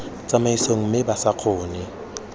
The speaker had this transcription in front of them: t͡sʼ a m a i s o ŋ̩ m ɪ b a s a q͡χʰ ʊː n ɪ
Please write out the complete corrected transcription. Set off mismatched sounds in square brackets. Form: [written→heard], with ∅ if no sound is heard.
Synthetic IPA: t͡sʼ a m a i s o ŋ̩ m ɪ b a s a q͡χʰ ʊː n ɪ